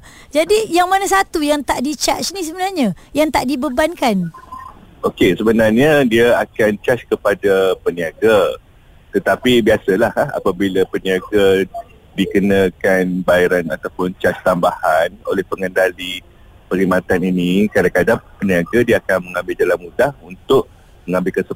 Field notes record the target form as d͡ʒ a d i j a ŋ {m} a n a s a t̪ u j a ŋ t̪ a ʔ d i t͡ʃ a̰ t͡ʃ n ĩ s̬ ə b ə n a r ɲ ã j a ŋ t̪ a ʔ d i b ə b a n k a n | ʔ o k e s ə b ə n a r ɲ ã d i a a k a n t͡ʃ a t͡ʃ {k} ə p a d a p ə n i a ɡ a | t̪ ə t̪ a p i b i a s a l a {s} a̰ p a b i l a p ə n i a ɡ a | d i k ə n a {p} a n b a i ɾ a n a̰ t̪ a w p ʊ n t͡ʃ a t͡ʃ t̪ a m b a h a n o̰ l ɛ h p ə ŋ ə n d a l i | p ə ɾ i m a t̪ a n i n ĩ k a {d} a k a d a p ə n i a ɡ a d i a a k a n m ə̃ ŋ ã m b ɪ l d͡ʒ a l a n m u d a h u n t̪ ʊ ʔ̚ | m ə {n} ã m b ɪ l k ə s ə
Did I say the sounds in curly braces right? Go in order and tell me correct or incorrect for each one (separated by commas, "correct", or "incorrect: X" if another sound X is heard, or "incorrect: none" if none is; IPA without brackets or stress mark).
correct, correct, incorrect: h, incorrect: k, correct, incorrect: ŋ